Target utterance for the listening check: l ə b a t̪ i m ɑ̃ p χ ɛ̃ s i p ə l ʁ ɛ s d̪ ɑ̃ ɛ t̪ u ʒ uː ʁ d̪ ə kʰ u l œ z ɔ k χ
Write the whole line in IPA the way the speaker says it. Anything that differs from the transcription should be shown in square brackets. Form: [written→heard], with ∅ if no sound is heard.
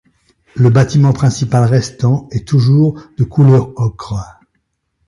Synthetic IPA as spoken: l ə b a t̪ i m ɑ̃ p χ ɛ̃ s i p [ə→a] l ʁ ɛ s [d̪→t̪] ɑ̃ ɛ t̪ u ʒ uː ʁ d̪ ə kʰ u l œ [z→ʁ] ɔ k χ